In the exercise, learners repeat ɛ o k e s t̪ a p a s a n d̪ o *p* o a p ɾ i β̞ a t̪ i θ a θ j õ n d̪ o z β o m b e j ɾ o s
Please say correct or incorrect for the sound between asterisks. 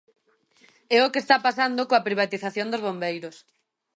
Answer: incorrect